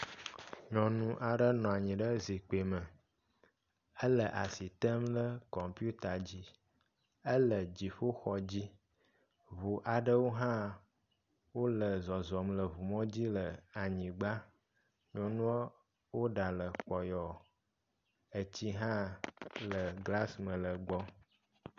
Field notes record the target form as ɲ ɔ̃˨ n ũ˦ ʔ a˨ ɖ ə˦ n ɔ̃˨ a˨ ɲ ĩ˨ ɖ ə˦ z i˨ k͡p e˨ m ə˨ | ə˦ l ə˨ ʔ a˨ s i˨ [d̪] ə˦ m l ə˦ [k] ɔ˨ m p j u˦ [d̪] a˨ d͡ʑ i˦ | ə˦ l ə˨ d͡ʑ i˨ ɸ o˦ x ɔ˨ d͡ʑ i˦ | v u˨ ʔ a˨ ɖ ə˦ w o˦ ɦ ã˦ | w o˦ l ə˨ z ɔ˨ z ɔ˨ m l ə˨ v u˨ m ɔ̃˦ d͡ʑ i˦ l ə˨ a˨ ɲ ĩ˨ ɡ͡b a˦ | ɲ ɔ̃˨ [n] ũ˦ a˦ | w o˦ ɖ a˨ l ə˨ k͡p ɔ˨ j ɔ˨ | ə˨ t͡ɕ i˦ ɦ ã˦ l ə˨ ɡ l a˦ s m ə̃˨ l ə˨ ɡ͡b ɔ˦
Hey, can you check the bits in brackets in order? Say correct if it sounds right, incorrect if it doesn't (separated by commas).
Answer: incorrect, correct, incorrect, correct